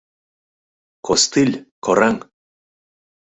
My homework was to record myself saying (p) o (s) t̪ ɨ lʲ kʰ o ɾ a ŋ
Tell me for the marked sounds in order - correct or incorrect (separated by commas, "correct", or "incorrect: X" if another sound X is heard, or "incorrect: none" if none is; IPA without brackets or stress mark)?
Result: incorrect: k, correct